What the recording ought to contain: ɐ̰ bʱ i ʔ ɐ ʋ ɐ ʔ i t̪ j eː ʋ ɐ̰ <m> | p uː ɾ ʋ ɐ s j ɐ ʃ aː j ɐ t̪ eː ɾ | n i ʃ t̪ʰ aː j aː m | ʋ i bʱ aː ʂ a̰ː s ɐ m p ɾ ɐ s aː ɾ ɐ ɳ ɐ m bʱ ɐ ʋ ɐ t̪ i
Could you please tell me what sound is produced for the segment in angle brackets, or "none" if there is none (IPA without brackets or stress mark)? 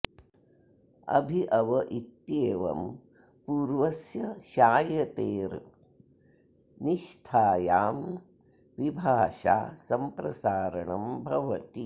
m